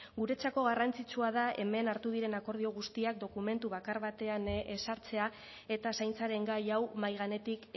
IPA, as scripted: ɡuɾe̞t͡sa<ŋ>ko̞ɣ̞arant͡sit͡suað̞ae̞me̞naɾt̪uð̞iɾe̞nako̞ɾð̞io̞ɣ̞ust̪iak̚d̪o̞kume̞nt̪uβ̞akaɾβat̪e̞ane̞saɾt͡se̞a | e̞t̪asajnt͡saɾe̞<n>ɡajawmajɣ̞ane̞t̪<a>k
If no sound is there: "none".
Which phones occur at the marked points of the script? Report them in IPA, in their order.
none, ŋ, i

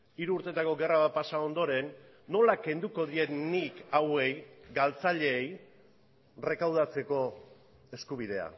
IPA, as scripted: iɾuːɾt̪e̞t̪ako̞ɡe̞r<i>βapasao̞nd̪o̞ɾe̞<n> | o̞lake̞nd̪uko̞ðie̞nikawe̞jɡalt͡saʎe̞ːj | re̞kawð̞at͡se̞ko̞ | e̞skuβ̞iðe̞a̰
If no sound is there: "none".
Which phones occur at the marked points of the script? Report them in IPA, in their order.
a, nː

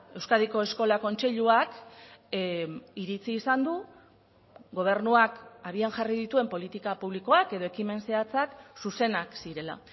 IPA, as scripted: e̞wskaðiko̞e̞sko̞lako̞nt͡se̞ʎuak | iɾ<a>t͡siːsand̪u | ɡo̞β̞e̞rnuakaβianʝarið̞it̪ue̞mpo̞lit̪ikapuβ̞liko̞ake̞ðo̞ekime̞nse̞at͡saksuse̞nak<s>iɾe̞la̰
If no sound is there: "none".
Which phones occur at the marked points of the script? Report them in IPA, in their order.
i, s

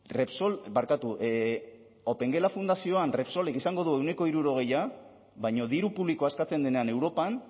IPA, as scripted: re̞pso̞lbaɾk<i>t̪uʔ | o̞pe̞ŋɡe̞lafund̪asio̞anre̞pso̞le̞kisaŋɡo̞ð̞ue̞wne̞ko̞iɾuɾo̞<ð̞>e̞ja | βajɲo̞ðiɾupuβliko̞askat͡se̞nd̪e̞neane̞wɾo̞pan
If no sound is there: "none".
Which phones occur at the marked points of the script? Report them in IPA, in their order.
a, ɣ̞

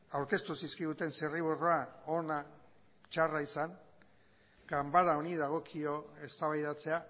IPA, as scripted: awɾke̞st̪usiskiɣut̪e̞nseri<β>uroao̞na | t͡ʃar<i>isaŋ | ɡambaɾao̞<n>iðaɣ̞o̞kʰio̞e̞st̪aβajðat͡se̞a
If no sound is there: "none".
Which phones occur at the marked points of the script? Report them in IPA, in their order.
β, a, n

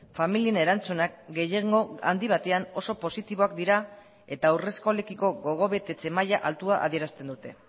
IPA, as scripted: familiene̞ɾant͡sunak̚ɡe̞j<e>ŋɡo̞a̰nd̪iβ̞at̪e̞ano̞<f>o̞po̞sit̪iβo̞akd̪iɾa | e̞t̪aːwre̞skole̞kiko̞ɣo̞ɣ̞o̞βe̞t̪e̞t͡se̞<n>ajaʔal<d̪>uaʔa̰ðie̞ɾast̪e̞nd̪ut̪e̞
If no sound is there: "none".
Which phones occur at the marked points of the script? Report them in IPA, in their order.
e, s, m, t̪

